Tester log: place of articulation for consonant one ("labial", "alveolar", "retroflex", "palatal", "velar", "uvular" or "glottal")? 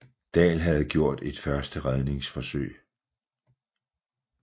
alveolar